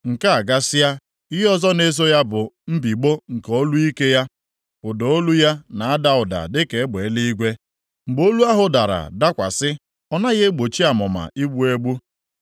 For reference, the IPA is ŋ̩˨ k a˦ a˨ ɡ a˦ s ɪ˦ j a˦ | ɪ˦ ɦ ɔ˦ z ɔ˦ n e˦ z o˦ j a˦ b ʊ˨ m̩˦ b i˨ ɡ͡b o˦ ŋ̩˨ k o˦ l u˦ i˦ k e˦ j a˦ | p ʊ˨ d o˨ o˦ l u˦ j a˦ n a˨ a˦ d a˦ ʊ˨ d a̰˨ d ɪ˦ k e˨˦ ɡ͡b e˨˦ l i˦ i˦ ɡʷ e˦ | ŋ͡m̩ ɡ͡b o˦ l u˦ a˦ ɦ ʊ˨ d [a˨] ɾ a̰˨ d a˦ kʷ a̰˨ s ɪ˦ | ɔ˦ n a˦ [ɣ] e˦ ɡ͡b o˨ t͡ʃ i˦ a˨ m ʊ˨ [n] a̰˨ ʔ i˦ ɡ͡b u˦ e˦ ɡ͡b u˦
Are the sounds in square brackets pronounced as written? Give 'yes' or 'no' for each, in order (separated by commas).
yes, yes, no